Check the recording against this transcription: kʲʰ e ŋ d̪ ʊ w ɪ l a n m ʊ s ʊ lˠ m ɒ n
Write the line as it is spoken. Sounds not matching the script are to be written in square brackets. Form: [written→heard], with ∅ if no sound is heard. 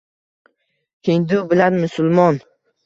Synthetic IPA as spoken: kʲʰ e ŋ d̪ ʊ [w→b] ɪ l a n m ʊ s ʊ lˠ m ɒ n